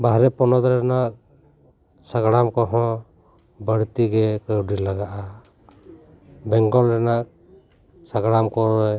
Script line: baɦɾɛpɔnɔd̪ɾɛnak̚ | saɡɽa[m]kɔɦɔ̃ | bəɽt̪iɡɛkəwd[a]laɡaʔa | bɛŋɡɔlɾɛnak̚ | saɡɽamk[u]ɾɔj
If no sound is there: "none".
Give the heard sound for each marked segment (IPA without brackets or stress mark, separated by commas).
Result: m, i, ɔ